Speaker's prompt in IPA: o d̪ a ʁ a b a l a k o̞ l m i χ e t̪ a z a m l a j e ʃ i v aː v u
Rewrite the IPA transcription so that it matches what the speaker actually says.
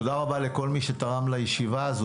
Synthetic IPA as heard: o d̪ a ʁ a b a l e k o̞ l m i ʃ e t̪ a ʁ a m l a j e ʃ i v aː z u